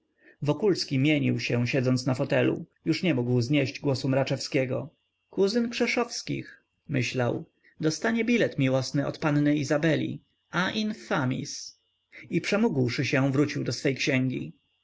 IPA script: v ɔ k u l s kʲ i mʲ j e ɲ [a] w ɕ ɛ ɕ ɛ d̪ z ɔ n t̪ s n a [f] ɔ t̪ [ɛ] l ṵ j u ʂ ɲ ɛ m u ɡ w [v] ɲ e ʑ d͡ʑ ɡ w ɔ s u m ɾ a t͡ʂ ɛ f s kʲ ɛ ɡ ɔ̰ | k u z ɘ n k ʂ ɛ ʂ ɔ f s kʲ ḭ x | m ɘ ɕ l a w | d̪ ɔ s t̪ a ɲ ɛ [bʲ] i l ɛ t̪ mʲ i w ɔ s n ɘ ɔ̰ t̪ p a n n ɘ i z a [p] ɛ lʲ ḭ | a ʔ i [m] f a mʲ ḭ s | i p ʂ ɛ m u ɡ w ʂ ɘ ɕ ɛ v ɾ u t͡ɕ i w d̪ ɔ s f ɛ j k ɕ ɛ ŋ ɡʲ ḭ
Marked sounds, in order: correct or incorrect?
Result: incorrect, correct, correct, incorrect, correct, incorrect, incorrect

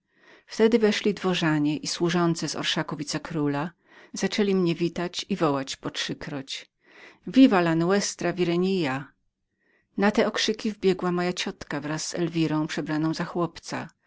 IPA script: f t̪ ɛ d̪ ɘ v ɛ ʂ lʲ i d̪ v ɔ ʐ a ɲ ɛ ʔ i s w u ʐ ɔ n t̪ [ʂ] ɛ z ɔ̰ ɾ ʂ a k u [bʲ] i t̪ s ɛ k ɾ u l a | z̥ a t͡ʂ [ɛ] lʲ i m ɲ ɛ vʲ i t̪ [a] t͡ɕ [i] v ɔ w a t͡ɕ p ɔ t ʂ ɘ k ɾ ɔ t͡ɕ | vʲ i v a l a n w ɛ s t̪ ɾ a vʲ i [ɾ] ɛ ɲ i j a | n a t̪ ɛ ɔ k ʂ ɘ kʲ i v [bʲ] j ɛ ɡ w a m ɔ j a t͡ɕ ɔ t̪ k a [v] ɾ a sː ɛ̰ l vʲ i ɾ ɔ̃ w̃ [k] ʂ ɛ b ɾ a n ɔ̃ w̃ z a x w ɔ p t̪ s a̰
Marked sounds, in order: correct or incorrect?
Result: incorrect, incorrect, correct, correct, correct, correct, correct, correct, incorrect

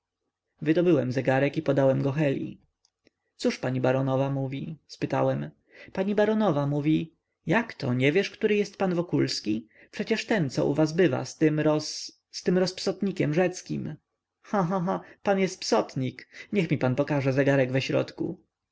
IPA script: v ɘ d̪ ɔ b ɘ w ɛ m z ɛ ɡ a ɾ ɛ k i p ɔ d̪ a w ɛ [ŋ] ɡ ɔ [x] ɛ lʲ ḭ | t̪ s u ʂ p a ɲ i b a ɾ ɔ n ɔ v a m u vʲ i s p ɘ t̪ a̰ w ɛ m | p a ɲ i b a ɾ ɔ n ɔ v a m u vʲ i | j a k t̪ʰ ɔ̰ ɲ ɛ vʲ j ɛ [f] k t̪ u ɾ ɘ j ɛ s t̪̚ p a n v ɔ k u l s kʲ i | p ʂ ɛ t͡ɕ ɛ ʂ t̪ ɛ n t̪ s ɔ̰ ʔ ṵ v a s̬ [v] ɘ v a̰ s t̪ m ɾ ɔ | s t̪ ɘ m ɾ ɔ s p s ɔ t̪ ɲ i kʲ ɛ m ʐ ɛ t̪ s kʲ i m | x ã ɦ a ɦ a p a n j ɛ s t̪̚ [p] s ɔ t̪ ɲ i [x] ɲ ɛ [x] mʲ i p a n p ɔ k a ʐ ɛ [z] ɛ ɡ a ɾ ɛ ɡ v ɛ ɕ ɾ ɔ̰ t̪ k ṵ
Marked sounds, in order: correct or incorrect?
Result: incorrect, correct, incorrect, incorrect, correct, incorrect, correct, correct

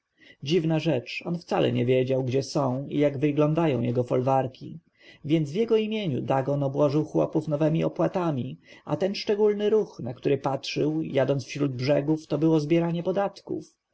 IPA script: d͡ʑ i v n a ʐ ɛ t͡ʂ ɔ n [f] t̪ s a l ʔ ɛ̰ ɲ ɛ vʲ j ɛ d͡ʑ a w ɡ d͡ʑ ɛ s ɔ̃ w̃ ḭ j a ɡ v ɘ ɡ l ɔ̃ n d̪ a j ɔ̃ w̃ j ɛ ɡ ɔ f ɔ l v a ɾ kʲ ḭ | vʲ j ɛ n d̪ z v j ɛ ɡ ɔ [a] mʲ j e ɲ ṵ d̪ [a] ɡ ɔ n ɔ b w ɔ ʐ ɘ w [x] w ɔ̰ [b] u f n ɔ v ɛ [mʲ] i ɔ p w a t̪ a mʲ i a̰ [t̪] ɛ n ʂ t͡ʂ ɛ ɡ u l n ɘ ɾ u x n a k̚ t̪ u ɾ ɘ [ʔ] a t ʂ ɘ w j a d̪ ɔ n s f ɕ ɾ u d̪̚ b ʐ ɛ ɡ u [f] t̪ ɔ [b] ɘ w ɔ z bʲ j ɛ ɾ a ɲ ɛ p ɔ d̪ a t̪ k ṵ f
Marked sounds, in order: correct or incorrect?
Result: correct, incorrect, correct, correct, incorrect, correct, correct, incorrect, correct, correct

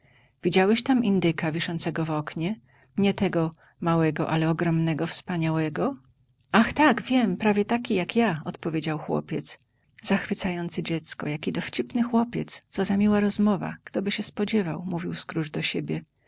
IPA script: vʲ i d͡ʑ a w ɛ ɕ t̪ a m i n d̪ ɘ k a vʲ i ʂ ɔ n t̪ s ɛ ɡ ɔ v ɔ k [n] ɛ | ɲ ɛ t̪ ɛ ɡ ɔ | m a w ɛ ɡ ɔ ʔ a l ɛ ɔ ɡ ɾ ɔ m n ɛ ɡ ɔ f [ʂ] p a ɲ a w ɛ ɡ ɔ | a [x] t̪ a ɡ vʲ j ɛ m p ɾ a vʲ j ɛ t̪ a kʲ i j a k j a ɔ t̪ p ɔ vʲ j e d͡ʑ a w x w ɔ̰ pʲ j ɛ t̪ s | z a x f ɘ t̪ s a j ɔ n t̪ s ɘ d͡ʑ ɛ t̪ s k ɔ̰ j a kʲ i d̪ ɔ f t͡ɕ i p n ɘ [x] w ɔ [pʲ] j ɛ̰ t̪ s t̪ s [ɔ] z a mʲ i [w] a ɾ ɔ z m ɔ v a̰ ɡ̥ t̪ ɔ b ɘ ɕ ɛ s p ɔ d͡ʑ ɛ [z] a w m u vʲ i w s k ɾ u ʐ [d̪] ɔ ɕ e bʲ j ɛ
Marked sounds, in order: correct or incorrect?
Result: incorrect, incorrect, correct, correct, correct, correct, correct, incorrect, correct

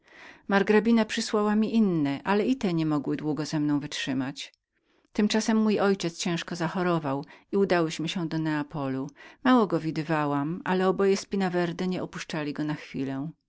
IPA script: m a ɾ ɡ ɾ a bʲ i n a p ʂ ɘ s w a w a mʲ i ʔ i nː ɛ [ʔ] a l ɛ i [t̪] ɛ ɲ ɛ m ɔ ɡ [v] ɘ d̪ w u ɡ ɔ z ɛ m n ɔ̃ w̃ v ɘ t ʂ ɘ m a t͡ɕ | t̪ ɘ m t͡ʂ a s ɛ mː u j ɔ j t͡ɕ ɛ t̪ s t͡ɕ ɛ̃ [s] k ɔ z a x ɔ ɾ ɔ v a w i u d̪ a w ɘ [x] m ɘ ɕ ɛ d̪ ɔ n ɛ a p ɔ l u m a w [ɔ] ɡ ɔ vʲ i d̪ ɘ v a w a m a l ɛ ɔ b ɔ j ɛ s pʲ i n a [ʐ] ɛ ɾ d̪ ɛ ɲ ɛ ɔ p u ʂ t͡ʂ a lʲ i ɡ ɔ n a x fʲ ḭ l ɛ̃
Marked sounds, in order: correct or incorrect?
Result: correct, correct, incorrect, incorrect, incorrect, correct, incorrect

